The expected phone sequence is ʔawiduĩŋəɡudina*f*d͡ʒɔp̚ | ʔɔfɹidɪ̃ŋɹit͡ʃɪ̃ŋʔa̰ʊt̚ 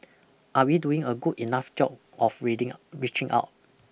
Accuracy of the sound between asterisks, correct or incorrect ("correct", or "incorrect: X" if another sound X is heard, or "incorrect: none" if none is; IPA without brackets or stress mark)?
correct